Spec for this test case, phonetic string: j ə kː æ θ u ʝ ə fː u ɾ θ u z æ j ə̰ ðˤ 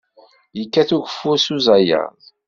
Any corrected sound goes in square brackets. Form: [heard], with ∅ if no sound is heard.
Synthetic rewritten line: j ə kː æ θ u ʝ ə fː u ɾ [s] u z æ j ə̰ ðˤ